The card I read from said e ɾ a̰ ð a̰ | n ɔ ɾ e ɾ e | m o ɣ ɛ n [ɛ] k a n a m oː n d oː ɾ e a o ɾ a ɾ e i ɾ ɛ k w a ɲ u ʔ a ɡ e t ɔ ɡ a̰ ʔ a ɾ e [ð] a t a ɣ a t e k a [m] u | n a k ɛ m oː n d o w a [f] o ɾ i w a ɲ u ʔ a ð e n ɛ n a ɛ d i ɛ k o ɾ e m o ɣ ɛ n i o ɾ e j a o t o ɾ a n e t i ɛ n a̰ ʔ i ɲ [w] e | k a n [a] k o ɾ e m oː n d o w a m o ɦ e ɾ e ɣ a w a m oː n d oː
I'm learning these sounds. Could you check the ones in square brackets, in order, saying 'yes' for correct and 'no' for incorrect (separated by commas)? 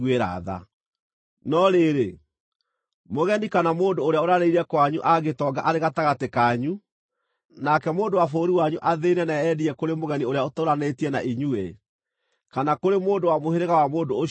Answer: no, no, no, yes, no, yes